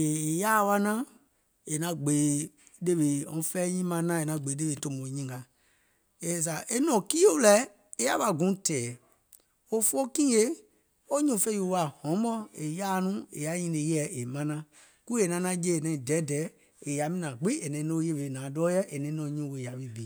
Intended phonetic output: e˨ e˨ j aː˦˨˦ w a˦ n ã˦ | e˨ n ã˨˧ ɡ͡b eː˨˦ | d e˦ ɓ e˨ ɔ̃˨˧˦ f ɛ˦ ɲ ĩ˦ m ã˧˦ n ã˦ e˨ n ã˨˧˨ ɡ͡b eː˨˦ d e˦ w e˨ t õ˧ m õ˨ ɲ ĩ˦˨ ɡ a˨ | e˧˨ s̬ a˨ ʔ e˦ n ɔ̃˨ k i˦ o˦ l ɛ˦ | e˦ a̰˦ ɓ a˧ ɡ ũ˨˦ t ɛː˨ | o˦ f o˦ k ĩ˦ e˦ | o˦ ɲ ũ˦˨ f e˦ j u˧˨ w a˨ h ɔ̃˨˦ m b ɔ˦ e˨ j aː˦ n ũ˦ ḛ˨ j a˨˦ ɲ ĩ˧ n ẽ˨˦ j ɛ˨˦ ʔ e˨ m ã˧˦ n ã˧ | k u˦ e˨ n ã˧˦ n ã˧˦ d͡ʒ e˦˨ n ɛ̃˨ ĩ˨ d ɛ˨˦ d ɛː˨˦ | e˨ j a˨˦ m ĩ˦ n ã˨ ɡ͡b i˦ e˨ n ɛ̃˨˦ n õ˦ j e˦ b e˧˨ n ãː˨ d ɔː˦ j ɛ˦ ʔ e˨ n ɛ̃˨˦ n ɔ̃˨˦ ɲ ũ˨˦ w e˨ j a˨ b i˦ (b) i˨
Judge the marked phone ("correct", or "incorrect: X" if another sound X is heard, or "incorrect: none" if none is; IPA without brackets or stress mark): correct